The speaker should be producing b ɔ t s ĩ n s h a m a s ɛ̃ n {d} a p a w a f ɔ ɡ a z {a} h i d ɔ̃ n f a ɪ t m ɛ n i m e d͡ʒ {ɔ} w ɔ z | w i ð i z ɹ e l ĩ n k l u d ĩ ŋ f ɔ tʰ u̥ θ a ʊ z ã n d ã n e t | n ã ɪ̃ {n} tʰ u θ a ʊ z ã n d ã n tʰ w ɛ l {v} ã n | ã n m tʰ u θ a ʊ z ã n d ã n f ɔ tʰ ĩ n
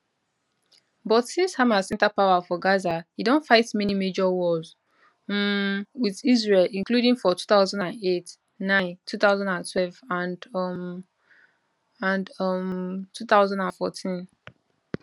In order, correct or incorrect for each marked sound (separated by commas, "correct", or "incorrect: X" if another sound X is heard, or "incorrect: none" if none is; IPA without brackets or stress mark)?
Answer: incorrect: t, correct, correct, correct, correct